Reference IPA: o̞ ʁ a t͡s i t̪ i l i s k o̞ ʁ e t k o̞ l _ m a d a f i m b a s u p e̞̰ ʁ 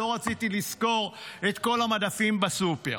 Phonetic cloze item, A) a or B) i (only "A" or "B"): A